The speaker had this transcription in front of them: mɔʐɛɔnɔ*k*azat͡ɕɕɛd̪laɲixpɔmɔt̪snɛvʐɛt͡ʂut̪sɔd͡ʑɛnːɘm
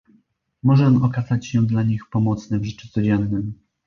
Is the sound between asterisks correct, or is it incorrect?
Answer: correct